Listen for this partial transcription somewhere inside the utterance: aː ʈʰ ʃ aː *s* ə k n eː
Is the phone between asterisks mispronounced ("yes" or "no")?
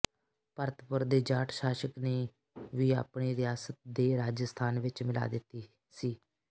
yes